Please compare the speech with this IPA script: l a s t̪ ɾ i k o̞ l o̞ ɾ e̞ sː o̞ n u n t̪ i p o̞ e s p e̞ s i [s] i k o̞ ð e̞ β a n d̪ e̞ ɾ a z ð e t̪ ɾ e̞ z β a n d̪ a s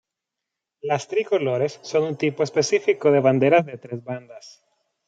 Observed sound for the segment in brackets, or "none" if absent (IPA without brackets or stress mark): f